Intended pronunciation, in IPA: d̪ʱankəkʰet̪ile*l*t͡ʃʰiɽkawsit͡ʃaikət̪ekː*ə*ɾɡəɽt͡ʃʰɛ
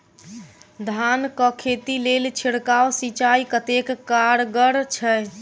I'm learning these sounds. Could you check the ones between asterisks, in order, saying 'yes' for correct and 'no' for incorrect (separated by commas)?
yes, no